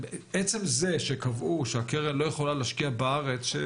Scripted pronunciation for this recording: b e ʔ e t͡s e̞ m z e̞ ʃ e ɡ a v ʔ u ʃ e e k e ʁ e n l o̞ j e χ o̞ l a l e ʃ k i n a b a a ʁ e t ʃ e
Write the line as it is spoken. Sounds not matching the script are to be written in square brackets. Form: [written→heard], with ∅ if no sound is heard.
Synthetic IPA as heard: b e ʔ e t͡s e̞ m z e̞ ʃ e [ɡ→k] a v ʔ u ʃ e [e→a] k e ʁ e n l o̞ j e χ o̞ l a l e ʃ k i [n→∅] a b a a ʁ e [t→t͡s] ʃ e